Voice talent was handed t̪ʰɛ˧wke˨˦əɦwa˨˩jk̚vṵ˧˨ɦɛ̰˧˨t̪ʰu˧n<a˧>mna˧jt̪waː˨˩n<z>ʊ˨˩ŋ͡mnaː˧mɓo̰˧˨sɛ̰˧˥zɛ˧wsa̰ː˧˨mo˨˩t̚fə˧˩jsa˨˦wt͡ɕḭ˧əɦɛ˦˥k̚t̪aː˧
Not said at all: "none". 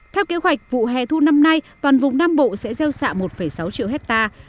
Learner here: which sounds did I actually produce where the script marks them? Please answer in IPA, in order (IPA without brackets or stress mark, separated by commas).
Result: a˧, v